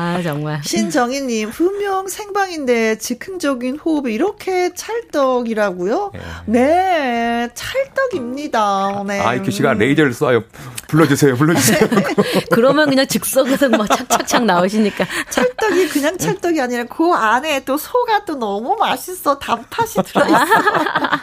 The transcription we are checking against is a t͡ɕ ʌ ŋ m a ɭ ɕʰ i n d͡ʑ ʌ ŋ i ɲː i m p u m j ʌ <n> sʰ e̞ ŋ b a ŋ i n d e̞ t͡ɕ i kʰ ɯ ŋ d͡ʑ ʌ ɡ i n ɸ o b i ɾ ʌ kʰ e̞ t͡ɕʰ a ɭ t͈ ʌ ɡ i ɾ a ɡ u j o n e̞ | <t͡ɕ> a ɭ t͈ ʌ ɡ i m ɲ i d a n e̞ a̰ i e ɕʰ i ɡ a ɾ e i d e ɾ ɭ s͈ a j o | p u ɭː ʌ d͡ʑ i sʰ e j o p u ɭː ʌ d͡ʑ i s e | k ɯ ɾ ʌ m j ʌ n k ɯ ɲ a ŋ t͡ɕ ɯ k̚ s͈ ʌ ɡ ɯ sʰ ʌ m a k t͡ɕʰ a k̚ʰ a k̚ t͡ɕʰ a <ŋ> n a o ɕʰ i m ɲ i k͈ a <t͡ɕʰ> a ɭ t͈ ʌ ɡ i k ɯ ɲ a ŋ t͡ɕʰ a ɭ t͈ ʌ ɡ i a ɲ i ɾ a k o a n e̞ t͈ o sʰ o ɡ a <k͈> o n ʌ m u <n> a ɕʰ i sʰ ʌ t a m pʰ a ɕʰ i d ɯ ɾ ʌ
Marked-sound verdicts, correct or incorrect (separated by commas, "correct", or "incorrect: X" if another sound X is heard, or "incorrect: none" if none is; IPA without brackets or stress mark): incorrect: ŋ, incorrect: t͡ɕʰ, correct, correct, incorrect: t͈, incorrect: m